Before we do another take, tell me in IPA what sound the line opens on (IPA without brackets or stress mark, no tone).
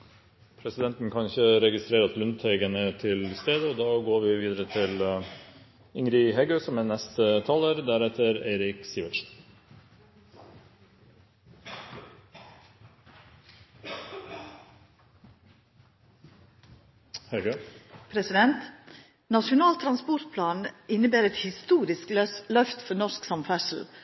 pʰ